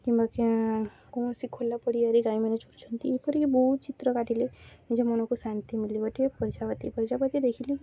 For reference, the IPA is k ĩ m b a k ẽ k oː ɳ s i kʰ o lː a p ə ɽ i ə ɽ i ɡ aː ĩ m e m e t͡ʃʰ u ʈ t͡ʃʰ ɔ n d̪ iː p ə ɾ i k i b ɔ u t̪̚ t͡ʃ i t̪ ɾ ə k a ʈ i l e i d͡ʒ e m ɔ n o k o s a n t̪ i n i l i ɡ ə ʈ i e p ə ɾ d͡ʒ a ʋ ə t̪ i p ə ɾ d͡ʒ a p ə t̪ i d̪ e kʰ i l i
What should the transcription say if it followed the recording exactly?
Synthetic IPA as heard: k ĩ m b a k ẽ k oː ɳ s i kʰ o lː a p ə ɽ i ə ɾ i ɡ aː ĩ m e n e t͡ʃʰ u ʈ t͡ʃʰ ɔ n t̪ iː p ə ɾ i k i b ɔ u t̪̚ t͡ʃ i t̪ ɾ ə k a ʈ i l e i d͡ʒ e m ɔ n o k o s a n t̪ i m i l i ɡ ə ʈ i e p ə ɾ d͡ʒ a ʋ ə t̪ i p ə ɾ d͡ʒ a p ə t̪ i d̪ e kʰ i l i

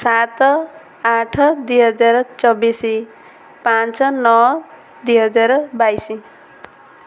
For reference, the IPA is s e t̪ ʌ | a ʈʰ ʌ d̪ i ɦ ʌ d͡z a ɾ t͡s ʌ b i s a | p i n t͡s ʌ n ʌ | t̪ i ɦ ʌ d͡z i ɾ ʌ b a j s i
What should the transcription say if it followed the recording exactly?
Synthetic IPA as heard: s a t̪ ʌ | a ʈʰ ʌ d̪ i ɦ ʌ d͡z a ɾ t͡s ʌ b i s i | p a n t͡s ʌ n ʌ | d̪ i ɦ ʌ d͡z a ɾ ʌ b a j s i

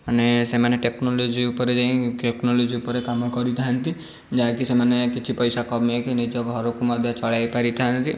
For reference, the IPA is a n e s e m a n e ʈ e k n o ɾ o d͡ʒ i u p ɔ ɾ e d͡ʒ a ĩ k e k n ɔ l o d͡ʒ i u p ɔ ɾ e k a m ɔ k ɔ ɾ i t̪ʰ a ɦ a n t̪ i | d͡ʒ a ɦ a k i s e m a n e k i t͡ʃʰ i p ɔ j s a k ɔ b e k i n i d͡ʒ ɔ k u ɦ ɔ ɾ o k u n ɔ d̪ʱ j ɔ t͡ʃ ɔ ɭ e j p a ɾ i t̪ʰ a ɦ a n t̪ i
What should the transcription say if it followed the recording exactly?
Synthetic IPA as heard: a n e s e m a n e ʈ e k n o l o d͡ʒ i u p ɔ ɾ e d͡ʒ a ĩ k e k n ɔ l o d͡ʒ i u p ɔ ɾ e k a m ɔ k ɔ ɾ i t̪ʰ a ɦ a n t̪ i | d͡ʒ a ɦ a k i s e m a n e k i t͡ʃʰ i p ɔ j s a k ɔ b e k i n i d͡ʒ ɔ k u ɦ ɔ ɾ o k u m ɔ d̪ʱ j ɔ t͡ʃ ɔ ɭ a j p a ɾ i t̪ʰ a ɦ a n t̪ i

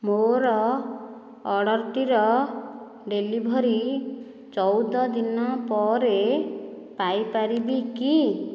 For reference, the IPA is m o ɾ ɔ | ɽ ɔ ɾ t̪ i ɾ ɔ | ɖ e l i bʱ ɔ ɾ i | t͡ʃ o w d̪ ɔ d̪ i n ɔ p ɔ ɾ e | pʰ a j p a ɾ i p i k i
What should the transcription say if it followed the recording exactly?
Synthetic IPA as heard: m o ɾ ɔ | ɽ ɔ ɾ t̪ i ɾ ɔ | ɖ e l i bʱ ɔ ɾ i | t͡ʃ ɔ w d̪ ɔ d̪ i n ɔ p ɔ ɾ e | p a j p a ɾ i b i k i

